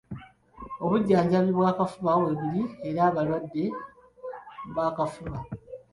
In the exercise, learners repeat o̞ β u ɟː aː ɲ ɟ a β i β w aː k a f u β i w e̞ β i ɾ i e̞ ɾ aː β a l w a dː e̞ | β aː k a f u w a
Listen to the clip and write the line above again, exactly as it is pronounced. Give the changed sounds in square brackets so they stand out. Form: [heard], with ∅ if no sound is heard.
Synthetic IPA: o̞ β u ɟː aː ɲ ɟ a β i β w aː k a f u β [a] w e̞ β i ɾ i e̞ ɾ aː β a l w a dː e̞ | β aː k a f u [β] a